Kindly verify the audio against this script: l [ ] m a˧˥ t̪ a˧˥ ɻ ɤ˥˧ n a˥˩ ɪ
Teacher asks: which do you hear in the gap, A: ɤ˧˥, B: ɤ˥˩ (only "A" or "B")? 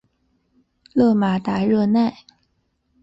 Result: B